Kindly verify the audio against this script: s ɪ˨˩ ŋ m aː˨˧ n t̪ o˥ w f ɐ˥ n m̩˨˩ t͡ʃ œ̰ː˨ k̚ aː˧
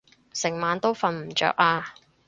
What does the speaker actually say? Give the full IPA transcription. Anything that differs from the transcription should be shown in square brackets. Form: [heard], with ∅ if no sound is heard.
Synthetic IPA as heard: s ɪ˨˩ ŋ m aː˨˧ n t̪ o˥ w f [ɐ˨˧] n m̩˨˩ t͡ʃ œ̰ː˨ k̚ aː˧